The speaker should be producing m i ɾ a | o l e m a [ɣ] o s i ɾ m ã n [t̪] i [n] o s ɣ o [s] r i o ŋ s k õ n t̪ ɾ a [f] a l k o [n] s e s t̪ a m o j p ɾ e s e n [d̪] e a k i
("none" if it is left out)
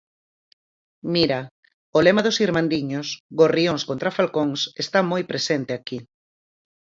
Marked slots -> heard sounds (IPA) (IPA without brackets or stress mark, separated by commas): ð, d̪, ɲ, none, f, ŋ, t̪